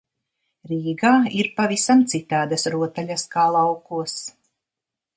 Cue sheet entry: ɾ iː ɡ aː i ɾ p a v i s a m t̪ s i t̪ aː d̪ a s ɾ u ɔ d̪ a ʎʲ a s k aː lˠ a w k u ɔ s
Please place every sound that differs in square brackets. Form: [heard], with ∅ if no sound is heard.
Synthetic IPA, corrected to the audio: ɾ iː ɡ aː i ɾ p a v i s a m t̪ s i t̪ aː d̪ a s ɾ u ɔ [t̪] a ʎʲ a s k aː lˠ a w k u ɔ s